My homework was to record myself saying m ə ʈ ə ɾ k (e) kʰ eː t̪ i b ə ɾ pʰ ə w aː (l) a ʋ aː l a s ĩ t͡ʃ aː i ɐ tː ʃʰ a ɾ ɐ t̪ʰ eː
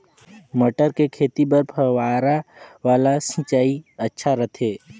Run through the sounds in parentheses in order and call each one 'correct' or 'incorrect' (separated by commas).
correct, incorrect